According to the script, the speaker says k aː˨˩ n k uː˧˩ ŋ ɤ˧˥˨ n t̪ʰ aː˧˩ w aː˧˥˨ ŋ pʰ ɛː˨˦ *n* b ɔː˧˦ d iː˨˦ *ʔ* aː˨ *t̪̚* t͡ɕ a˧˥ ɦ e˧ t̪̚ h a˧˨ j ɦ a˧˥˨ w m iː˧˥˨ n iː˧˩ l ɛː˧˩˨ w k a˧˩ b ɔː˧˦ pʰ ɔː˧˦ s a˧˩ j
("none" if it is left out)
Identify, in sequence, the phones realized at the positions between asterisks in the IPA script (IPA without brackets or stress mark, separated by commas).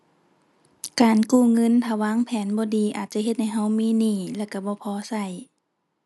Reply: n, ʔ, t̪̚